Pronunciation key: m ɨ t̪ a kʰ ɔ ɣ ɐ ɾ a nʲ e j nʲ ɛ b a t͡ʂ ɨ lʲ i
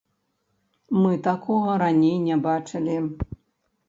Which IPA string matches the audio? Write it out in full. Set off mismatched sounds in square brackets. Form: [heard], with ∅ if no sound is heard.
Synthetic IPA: m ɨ t̪ a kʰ ɔ ɣ ɐ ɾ a nʲ e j nʲ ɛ b a t͡ʂ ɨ lʲ i